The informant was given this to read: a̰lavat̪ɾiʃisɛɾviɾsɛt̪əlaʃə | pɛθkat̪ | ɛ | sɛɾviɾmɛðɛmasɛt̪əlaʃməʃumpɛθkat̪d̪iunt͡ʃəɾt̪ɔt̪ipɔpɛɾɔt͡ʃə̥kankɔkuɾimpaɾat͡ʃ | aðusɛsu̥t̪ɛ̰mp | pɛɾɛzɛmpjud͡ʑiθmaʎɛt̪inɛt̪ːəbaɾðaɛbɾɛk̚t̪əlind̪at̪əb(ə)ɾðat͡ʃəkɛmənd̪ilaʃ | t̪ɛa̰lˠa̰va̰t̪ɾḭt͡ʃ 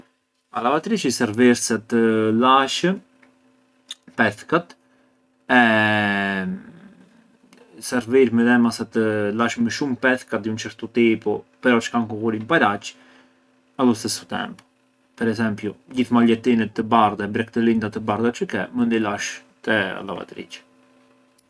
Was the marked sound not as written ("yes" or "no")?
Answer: yes